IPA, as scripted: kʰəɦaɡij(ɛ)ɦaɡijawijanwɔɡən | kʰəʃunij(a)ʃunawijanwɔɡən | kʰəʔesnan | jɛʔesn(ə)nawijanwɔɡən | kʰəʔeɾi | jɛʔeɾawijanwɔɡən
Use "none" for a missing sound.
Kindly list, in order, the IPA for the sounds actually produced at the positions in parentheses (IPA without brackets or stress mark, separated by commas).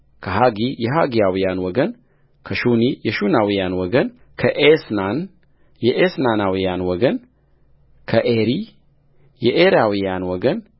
ɛ, ɛ, a